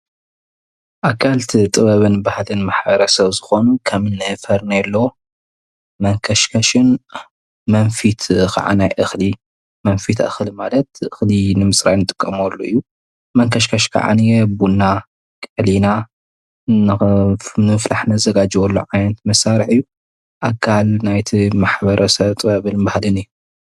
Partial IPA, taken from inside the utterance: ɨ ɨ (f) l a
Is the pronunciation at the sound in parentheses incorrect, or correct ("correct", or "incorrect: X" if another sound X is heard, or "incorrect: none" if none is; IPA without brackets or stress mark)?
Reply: correct